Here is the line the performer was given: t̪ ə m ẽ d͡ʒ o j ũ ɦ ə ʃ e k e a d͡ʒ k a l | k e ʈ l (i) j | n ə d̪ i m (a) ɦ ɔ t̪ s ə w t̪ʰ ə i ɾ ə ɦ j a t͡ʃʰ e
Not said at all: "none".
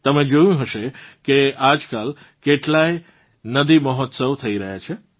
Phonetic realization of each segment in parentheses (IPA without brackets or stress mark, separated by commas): a, ə